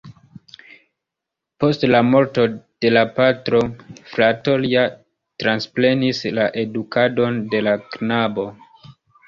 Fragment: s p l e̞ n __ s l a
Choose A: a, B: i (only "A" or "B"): B